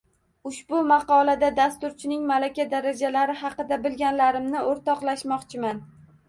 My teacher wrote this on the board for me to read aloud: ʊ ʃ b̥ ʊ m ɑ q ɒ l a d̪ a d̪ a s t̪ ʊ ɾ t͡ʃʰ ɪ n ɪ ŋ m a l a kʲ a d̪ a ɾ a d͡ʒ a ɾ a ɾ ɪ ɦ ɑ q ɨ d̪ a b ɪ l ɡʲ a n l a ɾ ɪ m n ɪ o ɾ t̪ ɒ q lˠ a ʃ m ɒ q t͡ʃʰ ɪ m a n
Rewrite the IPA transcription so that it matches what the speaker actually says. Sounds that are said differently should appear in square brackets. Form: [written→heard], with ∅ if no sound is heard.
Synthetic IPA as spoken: ʊ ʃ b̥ ʊ m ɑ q ɒ l a d̪ a d̪ a s t̪ ʊ ɾ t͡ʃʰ ɪ n ɪ ŋ m a l a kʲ a d̪ a ɾ a d͡ʒ a [ɾ→l] a ɾ ɪ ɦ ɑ q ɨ d̪ a b ɪ l ɡʲ a n l a ɾ ɪ m n ɪ o ɾ t̪ ɒ q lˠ a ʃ m ɒ q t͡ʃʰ ɪ m a n

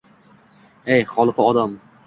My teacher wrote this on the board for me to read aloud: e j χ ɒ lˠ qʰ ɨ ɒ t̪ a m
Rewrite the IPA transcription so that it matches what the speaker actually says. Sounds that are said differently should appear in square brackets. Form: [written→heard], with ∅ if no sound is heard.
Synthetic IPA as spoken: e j χ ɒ lˠ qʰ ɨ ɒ [t̪→d̪] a m

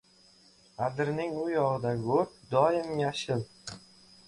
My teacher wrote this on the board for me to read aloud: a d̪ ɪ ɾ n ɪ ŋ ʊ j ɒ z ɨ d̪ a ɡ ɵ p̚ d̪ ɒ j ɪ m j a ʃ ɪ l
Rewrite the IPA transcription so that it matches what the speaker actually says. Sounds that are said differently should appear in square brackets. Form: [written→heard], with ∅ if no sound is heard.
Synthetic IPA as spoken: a d̪ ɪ ɾ n ɪ ŋ ʊ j ɒ [z→ʁ] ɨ d̪ a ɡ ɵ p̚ d̪ ɒ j ɪ m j a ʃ ɪ l

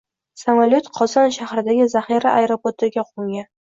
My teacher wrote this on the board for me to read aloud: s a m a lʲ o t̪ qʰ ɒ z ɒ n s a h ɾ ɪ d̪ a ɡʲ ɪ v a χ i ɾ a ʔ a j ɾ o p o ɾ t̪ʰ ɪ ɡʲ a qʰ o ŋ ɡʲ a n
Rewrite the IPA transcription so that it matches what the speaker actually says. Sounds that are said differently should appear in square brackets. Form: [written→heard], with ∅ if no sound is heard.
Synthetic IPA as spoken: s a m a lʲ o t̪ qʰ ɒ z ɒ n [s→ʃ] a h ɾ ɪ d̪ a ɡʲ ɪ [v→z] a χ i ɾ a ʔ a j ɾ o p o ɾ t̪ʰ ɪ ɡʲ a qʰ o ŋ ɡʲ a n

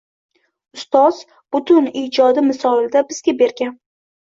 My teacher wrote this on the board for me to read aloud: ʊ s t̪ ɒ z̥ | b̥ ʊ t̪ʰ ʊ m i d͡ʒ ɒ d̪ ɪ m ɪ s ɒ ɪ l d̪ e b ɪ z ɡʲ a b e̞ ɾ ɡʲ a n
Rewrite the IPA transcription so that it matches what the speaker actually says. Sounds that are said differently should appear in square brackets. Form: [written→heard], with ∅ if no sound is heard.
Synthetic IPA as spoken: ʊ s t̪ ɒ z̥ | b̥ ʊ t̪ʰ ʊ [m→n] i d͡ʒ ɒ d̪ ɪ m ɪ s ɒ ɪ l d̪ [e→a] b ɪ z ɡʲ a b e̞ ɾ ɡʲ a n

